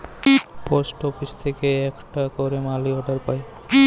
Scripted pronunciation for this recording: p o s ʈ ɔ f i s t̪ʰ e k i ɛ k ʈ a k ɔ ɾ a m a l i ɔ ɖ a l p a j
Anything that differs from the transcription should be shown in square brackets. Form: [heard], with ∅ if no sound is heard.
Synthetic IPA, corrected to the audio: p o s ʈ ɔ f i s t̪ʰ e k [e] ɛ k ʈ a k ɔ ɾ [e] m a l i ɔ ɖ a [ɾ] p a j